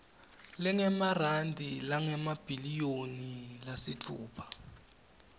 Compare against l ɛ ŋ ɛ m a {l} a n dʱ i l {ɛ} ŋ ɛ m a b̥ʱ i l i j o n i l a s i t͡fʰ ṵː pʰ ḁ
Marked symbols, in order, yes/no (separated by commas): no, no